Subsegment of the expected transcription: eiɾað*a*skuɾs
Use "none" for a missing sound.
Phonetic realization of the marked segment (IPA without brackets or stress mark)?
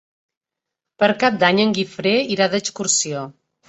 ə